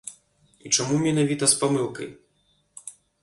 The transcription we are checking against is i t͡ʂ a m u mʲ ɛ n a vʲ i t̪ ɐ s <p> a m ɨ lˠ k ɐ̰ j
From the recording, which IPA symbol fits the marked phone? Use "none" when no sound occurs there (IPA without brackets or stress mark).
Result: p